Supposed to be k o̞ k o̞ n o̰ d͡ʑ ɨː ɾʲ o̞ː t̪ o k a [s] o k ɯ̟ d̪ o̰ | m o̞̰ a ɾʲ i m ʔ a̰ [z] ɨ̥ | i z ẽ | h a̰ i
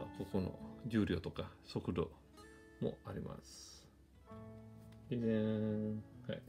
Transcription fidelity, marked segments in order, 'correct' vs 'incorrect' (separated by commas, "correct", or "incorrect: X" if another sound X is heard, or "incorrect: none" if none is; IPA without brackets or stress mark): correct, incorrect: s